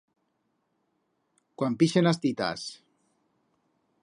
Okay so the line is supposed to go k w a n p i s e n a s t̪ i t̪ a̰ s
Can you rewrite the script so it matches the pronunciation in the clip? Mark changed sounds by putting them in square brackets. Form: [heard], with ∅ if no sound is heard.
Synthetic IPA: k w a [m] p i [ʃ] e n a s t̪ i t̪ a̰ s